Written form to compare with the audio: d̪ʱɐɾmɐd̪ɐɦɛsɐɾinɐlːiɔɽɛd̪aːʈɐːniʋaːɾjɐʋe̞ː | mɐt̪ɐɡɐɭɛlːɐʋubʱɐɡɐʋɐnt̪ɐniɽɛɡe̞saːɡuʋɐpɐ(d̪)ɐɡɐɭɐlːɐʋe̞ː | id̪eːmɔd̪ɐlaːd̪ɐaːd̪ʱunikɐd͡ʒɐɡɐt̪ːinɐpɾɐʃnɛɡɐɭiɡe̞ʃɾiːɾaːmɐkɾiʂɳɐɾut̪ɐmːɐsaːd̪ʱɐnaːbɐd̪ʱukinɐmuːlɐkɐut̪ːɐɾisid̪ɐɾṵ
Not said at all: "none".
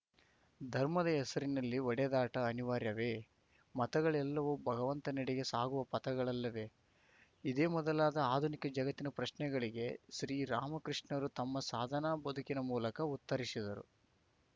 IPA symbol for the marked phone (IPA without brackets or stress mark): t̪